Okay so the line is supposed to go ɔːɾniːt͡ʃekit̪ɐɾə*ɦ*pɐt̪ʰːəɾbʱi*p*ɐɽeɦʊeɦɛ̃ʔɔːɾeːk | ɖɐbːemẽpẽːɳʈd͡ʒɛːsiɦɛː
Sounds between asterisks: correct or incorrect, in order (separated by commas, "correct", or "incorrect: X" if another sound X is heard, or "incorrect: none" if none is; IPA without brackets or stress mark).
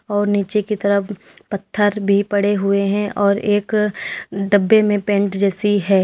incorrect: none, correct